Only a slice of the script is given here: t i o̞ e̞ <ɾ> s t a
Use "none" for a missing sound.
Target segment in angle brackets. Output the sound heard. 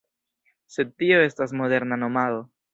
none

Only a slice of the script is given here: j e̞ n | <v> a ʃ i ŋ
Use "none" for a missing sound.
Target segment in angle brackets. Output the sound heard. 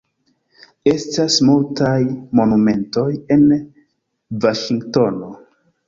v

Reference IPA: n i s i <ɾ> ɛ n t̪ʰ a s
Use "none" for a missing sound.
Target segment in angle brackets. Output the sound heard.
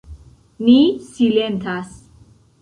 l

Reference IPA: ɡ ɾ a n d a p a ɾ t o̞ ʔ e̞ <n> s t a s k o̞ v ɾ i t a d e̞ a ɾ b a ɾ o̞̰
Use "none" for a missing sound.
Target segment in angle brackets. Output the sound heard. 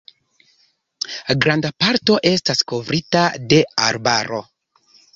none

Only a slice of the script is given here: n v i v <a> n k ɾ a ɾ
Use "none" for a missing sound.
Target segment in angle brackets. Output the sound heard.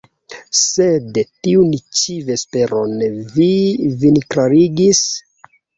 i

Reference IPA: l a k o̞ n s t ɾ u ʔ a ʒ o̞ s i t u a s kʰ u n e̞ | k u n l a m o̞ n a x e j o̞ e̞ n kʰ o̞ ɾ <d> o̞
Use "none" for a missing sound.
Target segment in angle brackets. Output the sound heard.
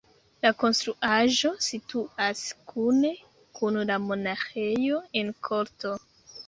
t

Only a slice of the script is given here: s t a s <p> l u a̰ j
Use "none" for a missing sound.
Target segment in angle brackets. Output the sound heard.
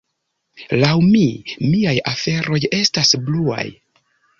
b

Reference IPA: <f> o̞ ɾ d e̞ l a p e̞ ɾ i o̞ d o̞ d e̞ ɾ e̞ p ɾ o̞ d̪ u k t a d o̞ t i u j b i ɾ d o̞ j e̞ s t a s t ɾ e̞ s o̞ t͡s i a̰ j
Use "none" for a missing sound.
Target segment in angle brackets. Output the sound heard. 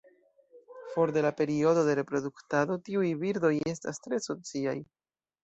f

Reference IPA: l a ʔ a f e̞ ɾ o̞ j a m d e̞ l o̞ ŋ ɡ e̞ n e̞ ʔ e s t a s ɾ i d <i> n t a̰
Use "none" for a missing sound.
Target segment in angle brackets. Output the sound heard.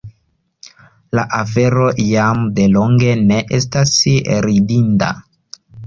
i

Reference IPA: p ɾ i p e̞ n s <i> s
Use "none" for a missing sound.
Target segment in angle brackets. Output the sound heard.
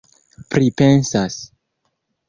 a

